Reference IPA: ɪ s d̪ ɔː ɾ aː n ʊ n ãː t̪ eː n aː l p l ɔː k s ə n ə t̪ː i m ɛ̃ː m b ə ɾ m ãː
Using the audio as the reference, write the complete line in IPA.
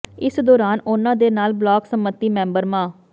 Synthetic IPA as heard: ɪ s d̪ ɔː ɾ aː n ʊ n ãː d̪ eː n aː l b l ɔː k s ə m ə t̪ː iː m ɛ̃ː m b ə ɾ m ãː